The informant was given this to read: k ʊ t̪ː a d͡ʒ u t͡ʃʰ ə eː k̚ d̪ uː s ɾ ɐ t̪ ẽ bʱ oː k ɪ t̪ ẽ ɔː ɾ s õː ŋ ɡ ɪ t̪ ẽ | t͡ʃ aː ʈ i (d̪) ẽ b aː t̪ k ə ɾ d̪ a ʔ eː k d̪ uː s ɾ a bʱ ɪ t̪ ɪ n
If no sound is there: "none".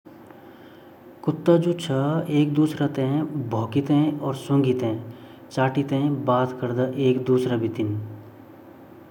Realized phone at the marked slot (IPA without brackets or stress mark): t̪